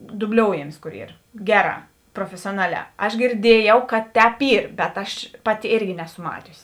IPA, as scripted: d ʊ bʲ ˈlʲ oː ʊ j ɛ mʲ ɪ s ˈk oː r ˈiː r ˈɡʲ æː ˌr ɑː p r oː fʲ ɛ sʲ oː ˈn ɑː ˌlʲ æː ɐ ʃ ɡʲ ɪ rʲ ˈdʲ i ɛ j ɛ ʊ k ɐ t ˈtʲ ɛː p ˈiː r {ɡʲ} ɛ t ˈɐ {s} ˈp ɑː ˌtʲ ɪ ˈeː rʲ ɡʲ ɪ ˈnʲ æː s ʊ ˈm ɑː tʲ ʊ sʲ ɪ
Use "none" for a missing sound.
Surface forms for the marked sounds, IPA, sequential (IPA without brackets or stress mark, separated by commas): bʲ, ʃ